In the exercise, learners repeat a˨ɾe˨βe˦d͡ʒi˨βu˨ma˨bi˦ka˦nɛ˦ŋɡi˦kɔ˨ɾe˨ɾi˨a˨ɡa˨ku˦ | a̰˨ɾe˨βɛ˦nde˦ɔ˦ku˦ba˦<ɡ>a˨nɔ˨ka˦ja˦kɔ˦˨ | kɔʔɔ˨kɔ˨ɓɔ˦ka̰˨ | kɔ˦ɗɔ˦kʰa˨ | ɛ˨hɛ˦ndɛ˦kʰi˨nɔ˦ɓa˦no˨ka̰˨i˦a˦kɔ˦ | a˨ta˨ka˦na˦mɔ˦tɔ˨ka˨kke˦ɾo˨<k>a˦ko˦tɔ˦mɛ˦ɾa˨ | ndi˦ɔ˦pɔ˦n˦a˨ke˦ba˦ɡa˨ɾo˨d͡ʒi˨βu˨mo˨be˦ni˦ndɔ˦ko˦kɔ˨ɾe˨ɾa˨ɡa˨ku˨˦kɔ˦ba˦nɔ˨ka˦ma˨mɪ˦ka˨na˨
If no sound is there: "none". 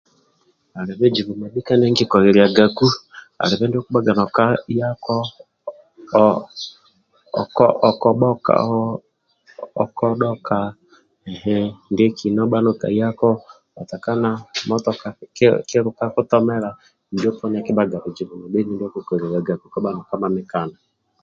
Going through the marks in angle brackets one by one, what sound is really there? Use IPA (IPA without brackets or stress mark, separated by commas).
ɡ, k